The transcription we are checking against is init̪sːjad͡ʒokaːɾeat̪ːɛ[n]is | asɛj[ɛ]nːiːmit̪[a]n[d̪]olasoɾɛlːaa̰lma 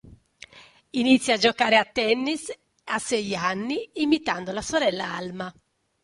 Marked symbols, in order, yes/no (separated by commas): no, no, yes, yes